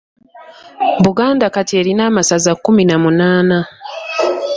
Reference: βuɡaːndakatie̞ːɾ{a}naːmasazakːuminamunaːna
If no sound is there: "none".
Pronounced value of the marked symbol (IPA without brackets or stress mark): i